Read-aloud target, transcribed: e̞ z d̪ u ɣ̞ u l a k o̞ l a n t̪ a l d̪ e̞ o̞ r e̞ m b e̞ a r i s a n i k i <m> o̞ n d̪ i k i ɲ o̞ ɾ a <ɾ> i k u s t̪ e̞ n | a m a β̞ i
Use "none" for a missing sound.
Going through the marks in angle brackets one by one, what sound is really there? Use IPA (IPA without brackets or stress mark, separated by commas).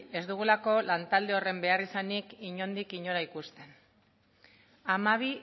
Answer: ɲ, none